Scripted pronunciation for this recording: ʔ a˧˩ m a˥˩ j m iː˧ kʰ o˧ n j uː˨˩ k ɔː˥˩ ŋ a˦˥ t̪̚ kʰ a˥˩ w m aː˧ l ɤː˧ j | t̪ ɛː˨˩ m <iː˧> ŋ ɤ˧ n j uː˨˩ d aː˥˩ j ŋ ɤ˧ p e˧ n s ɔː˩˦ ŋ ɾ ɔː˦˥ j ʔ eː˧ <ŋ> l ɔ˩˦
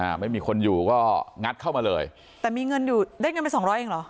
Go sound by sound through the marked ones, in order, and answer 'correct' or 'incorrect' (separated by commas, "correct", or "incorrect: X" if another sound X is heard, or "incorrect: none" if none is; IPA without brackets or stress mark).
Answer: correct, correct